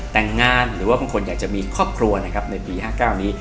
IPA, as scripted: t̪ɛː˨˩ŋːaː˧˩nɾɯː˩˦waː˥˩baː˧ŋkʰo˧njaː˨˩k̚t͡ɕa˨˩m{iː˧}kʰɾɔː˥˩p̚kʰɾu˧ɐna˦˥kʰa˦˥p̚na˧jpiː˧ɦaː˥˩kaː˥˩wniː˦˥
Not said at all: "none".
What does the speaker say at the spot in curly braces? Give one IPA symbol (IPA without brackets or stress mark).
iː˧